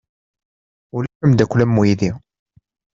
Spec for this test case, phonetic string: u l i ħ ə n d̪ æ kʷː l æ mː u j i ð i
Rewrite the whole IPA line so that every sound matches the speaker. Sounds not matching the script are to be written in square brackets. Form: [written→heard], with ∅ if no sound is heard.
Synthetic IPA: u l [i→æ] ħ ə [n→m] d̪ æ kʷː l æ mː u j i ð i